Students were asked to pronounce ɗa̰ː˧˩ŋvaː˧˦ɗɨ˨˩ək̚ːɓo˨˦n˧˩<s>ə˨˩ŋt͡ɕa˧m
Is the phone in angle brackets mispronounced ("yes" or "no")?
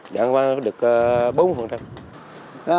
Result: yes